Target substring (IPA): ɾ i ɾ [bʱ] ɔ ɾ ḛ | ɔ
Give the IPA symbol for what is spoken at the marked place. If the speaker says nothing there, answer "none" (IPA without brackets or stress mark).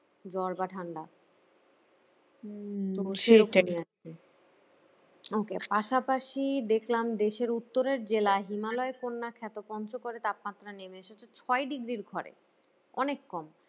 ɡʱ